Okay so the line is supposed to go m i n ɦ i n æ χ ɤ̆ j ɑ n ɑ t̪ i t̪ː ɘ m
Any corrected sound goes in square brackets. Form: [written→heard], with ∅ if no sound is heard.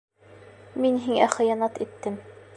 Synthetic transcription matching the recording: m i n ɦ i [n→ŋ] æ χ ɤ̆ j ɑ n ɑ t̪ i t̪ː ɘ m